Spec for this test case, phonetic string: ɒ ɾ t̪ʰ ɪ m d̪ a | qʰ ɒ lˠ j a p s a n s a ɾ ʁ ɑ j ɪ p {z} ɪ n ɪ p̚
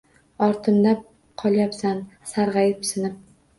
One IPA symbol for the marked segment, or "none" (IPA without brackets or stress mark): s